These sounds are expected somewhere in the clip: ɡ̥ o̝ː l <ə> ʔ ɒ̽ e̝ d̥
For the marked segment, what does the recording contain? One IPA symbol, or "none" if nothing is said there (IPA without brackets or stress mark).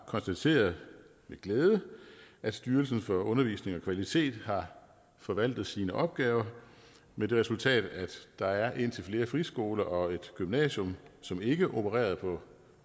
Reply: ɐ